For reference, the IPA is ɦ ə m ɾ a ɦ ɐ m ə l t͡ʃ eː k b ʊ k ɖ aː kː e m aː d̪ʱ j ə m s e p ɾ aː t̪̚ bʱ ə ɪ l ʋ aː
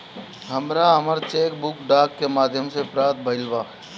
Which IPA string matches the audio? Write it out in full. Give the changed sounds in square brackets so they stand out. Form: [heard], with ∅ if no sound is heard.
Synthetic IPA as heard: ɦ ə m ɾ a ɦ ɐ m ə [ɾ] t͡ʃ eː k b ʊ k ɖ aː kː e m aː d̪ʱ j ə m s e p ɾ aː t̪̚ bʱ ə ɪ l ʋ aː